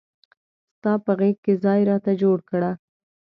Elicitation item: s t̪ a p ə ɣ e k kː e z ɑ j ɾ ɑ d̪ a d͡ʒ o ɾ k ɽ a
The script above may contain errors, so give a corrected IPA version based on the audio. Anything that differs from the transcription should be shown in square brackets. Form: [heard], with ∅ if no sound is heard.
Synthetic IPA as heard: s t̪ [ɑ] p ə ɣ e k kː e z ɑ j ɾ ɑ [t̪] a d͡ʒ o [ɽ] k ɽ a

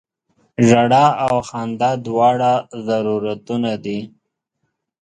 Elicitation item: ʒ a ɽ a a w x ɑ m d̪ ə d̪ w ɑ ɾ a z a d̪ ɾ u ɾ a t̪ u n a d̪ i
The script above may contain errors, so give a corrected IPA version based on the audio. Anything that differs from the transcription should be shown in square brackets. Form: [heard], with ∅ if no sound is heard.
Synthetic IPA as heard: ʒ a ɽ a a w x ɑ [n] d̪ [a] d̪ w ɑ [ɽ] a z a [∅] ɾ u ɾ a t̪ u n a d̪ i

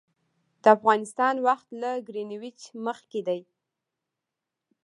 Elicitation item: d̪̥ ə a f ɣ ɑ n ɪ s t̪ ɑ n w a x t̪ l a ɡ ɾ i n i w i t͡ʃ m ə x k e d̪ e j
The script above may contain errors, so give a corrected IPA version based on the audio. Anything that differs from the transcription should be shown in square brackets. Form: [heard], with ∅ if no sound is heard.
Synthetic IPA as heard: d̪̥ ə a f ɣ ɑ n ɪ s t̪ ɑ n w a x t̪ l a ɡ ɾ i n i w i t͡ʃ m ə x k e d̪ [a] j

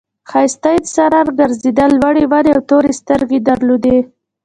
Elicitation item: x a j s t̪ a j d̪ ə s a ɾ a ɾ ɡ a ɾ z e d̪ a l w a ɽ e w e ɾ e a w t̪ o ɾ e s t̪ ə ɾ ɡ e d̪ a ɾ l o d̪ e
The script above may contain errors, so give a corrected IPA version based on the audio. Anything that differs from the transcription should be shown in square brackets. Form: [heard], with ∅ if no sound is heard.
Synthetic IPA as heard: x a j s t̪ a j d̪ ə s a ɾ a ɾ ɡ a ɾ z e d̪ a l w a ɽ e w [a] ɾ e a w t̪ o ɾ e s t̪ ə ɾ ɡ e d̪ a ɾ l o d̪ e

